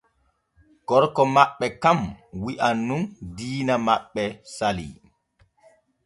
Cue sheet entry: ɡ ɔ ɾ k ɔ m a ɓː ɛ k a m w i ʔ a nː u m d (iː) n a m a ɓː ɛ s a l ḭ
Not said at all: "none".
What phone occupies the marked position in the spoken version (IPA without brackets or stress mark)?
iː